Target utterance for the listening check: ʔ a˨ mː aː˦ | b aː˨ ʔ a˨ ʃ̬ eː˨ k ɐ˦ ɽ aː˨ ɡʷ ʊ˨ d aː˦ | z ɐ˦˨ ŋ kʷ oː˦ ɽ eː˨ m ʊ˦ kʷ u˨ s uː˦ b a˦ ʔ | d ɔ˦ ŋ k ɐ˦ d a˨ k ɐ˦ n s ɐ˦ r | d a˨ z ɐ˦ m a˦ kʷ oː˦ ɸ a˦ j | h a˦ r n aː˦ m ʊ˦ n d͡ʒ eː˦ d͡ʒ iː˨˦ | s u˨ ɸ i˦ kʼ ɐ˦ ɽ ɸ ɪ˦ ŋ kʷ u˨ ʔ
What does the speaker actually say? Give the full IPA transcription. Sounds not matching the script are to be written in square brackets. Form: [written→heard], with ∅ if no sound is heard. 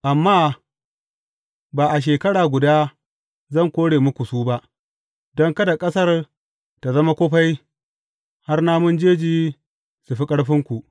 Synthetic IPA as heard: ʔ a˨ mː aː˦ | b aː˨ ʔ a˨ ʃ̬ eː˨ k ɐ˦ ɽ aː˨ ɡʷ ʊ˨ d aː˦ | z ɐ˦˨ ŋ kʷ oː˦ ɽ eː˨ m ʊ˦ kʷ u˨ s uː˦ b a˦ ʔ | d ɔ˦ ŋ k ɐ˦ d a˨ [k→kʼ] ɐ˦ [n→∅] s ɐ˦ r | [d→t] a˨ z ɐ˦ m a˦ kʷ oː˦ ɸ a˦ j | h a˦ r n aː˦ m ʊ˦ n d͡ʒ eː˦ d͡ʒ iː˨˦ | s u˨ ɸ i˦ kʼ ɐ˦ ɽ ɸ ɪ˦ ŋ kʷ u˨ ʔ